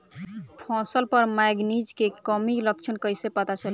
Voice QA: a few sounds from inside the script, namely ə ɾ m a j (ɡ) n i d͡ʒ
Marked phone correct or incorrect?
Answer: correct